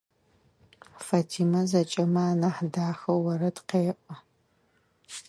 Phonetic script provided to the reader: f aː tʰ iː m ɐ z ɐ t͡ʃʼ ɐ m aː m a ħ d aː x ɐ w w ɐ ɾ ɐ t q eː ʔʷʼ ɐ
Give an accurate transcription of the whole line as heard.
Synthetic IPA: f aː tʰ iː m ɐ z ɐ t͡ʃʼ ɐ m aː n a ħ d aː x ɐ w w ɐ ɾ ɐ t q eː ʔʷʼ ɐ